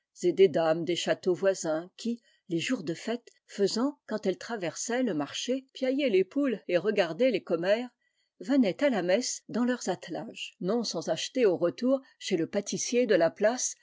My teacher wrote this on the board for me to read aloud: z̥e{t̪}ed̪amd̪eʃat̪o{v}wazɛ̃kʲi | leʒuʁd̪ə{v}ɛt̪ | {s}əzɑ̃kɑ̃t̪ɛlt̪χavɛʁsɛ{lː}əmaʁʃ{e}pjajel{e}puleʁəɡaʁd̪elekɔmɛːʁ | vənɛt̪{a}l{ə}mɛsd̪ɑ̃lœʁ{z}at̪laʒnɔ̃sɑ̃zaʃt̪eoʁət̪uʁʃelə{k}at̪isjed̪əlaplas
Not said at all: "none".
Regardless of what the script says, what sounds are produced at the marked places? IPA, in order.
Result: d̪, v, f, f, l, e, e, a, a, z, p

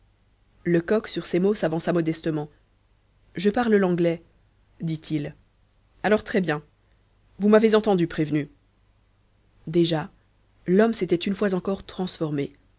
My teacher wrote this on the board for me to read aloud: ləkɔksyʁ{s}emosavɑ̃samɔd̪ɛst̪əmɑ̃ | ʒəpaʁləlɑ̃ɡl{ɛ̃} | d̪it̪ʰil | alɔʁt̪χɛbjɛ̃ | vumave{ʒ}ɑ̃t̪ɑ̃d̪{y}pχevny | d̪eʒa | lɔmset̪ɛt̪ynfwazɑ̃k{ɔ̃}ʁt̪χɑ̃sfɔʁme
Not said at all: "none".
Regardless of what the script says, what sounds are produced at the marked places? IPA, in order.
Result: s, ɛ, z, y, ɔ

